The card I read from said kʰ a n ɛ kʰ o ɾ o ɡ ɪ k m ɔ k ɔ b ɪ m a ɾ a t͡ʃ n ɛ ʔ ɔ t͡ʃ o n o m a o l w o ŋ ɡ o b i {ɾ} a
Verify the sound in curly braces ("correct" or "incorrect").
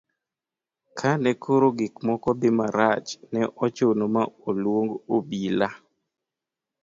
incorrect